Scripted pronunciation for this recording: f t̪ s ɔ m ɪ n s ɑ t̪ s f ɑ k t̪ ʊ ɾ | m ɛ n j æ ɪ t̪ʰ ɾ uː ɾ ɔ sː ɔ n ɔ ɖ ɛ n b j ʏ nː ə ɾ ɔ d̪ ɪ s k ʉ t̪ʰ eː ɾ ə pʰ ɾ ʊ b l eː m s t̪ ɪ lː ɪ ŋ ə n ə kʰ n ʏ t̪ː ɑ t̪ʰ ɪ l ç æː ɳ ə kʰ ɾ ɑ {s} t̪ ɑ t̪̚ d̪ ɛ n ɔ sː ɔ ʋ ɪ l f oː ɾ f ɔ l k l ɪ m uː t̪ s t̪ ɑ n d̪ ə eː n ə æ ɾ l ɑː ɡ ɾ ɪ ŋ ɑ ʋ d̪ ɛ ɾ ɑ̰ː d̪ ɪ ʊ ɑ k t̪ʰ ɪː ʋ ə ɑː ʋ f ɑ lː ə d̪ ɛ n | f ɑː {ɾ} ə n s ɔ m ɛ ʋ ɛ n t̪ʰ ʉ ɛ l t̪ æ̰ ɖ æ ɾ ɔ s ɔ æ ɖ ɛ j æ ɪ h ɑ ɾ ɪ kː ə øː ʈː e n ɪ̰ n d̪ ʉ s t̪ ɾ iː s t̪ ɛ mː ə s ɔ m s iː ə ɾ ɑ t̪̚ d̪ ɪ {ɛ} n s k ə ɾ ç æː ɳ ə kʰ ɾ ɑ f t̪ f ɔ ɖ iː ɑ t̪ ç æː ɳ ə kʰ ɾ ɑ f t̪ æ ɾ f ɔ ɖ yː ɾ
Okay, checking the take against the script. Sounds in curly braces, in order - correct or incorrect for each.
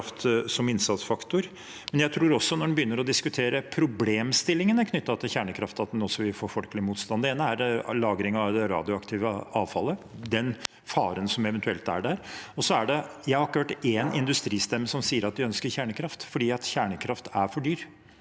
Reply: incorrect, correct, incorrect

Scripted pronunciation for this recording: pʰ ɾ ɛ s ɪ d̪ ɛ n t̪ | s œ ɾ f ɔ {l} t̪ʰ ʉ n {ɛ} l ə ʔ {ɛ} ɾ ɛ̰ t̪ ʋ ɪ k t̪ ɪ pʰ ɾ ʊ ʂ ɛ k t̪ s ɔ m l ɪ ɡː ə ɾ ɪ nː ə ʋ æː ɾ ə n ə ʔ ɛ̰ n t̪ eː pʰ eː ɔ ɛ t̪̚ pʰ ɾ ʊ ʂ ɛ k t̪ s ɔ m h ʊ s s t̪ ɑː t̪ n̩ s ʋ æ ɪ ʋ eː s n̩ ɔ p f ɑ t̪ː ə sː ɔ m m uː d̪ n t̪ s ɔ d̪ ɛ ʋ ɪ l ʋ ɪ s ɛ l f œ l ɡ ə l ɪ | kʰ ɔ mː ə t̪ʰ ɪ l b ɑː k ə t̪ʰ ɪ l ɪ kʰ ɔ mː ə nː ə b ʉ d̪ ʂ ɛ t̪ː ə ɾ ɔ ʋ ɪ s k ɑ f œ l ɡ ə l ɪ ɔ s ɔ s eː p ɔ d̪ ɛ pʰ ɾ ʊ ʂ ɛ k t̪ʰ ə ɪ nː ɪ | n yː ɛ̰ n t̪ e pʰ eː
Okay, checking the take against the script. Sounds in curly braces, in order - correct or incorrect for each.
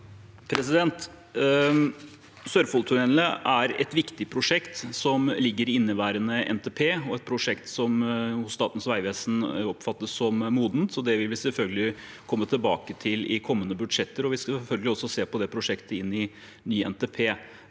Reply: correct, correct, incorrect

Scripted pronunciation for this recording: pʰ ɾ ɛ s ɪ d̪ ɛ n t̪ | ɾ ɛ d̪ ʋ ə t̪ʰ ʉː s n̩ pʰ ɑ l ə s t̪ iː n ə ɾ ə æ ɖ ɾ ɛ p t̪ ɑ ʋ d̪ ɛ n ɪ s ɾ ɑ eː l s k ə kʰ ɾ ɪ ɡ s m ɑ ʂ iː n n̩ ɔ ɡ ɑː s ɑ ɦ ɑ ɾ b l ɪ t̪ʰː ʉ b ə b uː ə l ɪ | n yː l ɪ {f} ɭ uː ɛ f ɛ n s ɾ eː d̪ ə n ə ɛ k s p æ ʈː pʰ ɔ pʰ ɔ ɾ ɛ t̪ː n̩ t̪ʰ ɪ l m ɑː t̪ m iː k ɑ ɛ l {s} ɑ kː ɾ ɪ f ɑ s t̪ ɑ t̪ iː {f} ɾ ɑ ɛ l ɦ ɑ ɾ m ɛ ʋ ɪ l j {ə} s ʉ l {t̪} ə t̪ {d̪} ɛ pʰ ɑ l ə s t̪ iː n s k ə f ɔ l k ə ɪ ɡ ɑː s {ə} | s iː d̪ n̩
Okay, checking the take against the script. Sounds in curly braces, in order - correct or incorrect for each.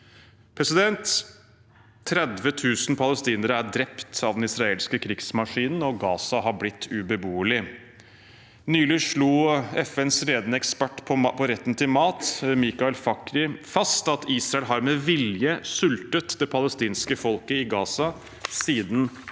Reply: incorrect, incorrect, incorrect, correct, correct, correct, incorrect

